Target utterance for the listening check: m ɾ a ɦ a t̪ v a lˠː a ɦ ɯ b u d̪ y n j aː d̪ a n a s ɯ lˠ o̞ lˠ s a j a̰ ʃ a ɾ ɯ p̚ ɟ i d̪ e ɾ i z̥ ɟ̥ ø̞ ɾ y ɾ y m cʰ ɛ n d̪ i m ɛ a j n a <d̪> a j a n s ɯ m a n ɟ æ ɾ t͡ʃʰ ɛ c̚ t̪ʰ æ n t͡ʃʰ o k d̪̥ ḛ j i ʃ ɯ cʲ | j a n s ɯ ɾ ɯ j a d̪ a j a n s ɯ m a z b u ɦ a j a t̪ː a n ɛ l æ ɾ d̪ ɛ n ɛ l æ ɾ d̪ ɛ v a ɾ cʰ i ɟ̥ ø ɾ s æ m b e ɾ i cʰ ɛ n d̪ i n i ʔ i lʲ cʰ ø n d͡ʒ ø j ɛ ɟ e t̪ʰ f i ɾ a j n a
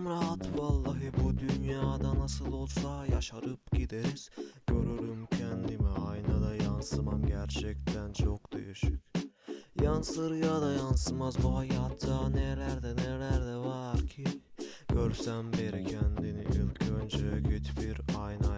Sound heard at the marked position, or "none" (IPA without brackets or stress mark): d̪